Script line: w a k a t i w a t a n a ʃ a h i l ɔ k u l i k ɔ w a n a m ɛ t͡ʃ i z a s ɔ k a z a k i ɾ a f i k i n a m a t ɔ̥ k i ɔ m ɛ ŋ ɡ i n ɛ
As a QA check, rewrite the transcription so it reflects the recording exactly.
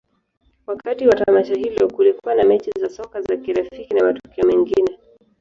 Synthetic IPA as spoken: w a k a t i w a t a m a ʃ a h i l ɔ k u l i k u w a n a m ɛ t͡ʃ i z a s ɔ k a z a k i ɾ a f i k i n a m a t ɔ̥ k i ɔ m ɛ ŋ ɡ i n ɛ